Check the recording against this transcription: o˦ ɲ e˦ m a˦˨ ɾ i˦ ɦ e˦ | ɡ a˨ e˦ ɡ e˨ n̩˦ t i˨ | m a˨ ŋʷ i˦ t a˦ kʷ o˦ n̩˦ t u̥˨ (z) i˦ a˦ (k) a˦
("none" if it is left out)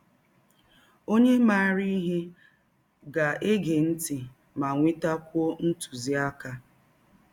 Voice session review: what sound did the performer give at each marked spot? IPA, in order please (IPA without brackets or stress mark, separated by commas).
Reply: z, k